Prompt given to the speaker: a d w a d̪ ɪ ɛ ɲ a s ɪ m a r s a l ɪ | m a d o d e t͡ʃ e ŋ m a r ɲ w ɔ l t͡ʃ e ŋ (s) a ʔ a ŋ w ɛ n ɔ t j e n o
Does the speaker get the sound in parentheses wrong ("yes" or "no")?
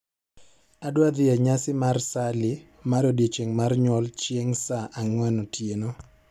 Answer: no